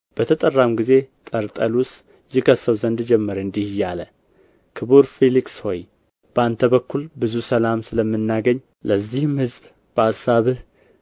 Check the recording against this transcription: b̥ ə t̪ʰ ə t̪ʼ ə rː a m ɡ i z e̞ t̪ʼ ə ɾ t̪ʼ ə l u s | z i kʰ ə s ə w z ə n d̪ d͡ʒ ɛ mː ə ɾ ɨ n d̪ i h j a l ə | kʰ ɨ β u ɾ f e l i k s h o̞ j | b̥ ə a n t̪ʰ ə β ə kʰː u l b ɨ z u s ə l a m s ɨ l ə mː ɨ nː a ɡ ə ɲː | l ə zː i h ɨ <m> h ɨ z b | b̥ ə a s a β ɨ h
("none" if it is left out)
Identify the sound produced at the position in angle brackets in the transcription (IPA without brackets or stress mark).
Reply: m